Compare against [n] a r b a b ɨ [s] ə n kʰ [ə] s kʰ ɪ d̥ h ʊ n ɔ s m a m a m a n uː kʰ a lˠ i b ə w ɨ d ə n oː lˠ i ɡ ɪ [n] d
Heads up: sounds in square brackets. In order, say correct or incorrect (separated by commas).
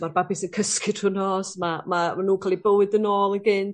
incorrect, correct, correct, correct